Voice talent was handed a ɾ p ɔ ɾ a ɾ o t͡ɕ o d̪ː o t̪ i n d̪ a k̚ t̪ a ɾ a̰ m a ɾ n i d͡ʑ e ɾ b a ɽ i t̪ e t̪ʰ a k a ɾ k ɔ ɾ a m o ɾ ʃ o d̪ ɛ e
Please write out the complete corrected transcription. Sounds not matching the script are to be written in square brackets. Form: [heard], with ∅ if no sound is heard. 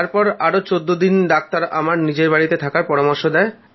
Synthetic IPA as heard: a ɾ p ɔ ɾ a ɾ o t͡ɕ o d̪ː o [d̪] i n d̪ a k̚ t̪ a ɾ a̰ m a ɾ n i d͡ʑ e ɾ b a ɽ i t̪ e t̪ʰ a k a ɾ [p] ɔ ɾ a m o ɾ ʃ o d̪ ɛ e